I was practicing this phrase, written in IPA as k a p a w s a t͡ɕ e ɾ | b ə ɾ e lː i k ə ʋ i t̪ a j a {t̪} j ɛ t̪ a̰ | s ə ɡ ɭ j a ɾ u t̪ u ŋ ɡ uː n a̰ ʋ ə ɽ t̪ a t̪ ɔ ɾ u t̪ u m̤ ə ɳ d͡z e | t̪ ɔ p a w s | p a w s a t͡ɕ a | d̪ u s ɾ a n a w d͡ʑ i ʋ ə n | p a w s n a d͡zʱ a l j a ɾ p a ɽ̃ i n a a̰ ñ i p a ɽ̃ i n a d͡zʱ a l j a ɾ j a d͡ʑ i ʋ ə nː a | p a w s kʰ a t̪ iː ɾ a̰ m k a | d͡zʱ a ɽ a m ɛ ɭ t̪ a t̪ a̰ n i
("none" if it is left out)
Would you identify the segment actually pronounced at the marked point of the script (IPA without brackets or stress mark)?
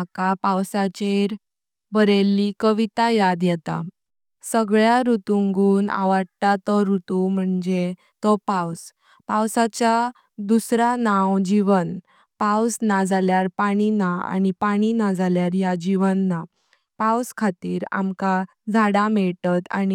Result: d̪